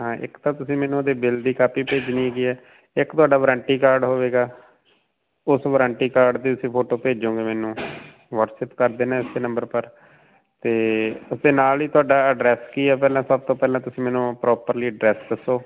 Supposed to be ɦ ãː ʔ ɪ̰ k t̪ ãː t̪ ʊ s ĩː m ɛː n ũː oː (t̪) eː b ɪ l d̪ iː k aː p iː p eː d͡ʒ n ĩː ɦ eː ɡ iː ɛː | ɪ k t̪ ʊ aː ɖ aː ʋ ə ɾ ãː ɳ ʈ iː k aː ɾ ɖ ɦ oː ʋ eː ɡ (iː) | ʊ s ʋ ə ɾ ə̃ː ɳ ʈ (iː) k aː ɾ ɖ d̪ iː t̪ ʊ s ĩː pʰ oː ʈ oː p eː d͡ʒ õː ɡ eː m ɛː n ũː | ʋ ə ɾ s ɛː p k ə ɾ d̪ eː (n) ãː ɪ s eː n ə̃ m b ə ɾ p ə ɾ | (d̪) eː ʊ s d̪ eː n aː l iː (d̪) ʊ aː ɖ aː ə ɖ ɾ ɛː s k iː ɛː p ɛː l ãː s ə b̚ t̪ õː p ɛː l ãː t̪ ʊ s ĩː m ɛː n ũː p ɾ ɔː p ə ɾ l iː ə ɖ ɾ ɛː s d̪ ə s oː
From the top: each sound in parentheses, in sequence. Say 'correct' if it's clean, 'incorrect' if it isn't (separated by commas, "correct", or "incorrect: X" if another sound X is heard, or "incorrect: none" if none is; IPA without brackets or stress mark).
incorrect: d̪, incorrect: aː, correct, correct, incorrect: t̪, incorrect: t̪